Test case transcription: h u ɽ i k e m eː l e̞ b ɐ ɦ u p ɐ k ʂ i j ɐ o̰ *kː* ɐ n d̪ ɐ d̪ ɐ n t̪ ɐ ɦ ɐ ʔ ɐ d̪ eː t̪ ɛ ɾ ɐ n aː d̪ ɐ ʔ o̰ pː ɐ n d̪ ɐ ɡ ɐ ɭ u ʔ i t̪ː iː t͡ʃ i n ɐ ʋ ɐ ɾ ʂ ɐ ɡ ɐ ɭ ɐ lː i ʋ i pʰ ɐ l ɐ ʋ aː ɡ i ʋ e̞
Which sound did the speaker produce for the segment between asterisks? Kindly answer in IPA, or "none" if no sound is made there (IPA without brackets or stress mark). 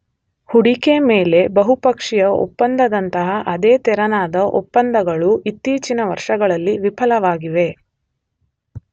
pː